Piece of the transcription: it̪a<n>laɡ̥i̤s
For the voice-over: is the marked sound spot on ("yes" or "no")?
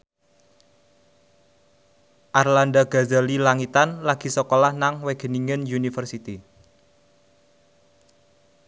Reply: yes